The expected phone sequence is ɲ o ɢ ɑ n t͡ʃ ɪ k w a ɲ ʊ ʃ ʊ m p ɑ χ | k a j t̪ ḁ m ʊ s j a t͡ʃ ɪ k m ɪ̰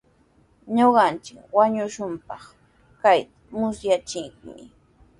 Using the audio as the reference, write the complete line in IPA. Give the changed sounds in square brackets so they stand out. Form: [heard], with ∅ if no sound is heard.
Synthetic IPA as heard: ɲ o ɢ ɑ n t͡ʃ ɪ k w a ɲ ʊ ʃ ʊ m p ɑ χ | k a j t̪ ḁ m ʊ s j a t͡ʃ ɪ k m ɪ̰